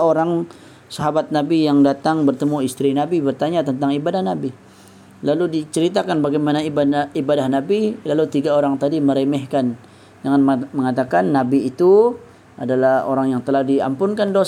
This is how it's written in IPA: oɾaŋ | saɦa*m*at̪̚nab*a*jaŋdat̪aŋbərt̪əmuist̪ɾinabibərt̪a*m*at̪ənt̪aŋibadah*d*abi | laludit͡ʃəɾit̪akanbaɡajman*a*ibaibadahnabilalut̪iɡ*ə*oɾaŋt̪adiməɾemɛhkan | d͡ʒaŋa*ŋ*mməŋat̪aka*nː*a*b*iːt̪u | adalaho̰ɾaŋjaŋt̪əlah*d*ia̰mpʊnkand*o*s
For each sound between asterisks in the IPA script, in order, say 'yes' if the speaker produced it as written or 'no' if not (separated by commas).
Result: no, no, no, no, yes, no, no, yes, yes, yes, yes